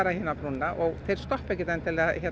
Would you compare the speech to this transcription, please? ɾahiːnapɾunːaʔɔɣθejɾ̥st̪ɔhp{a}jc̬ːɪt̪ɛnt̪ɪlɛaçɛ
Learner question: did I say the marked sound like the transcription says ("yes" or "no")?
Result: no